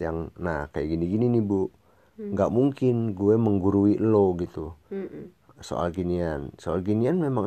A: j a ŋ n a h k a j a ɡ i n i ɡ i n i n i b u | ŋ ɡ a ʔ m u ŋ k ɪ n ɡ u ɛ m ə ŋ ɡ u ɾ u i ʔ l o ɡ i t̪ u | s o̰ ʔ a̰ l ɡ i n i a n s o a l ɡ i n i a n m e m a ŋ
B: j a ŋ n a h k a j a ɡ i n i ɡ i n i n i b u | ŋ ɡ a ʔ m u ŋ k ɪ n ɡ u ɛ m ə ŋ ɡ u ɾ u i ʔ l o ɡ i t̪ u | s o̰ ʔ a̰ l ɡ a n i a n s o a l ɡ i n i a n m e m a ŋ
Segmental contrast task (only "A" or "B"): A